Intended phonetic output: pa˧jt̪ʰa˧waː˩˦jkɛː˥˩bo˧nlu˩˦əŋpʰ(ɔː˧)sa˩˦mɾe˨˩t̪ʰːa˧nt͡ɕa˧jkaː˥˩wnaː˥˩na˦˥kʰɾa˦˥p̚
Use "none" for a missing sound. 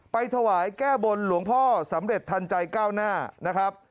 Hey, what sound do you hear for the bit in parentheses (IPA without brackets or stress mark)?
ɔː˥˩